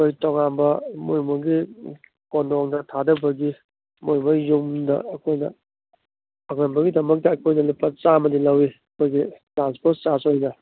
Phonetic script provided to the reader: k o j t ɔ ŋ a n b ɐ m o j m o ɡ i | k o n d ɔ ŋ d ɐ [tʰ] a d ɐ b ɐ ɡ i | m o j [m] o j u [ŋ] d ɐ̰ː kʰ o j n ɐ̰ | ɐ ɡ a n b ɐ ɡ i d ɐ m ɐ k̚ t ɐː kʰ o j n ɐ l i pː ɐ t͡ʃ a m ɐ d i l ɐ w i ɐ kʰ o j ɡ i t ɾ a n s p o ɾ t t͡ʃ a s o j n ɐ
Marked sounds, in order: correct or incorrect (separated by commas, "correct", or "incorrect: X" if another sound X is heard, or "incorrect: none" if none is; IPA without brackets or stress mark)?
correct, correct, incorrect: m